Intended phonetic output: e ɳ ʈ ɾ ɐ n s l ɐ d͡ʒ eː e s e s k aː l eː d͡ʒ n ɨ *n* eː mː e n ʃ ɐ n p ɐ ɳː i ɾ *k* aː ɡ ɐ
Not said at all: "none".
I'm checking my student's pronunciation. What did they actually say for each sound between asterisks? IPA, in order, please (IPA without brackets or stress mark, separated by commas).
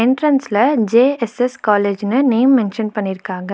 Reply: n, k